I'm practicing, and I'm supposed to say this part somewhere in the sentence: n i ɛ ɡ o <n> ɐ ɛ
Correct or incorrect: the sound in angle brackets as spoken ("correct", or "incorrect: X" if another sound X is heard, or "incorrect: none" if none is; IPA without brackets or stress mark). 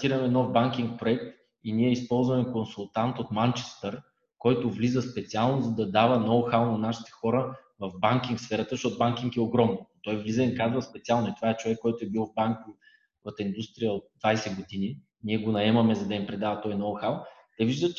correct